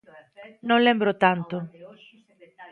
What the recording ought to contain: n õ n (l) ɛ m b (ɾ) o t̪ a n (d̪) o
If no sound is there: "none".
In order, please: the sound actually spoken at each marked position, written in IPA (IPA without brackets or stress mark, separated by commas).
l, ɾ, t̪